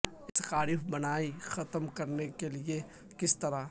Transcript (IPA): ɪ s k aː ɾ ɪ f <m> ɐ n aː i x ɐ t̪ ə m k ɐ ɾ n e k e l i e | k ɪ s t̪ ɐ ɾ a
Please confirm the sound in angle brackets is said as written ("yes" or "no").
no